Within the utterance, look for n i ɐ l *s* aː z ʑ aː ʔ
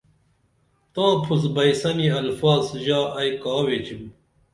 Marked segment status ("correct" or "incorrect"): incorrect